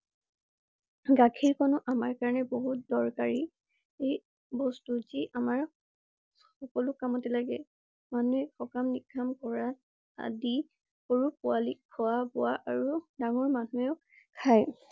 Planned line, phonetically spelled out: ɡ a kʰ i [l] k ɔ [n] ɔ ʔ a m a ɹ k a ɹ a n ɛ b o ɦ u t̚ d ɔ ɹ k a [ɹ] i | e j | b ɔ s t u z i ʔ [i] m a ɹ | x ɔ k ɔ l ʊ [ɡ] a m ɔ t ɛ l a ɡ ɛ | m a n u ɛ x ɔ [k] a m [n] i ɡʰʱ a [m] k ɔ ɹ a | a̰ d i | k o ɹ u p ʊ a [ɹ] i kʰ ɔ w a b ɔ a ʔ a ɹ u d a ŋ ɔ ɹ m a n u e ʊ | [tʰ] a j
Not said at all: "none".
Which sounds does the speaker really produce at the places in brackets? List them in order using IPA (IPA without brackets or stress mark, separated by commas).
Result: ɹ, n, ɹ, a, k, k, n, m, l, kʰ